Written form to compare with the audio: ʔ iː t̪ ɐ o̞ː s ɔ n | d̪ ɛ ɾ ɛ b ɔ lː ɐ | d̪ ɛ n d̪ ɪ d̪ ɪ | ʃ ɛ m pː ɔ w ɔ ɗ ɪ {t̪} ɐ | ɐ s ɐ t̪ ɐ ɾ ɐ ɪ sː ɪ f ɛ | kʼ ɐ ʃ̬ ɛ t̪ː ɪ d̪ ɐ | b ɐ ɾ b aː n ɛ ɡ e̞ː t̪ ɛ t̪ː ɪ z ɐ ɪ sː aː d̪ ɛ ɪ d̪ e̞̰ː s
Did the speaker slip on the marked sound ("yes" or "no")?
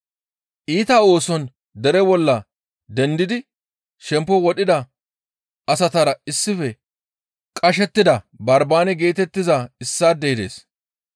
yes